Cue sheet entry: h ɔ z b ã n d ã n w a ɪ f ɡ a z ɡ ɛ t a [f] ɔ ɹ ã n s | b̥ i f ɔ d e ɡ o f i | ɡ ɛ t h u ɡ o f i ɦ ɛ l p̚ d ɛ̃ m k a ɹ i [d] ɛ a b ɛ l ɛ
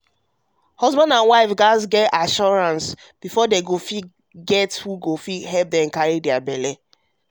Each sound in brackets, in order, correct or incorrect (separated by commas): incorrect, correct